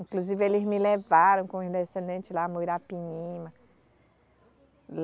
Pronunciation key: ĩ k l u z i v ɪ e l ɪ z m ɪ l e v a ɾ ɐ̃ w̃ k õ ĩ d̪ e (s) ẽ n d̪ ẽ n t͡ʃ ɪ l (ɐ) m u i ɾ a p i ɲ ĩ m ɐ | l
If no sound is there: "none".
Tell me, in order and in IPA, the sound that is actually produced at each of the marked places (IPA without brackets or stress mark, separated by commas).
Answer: s, a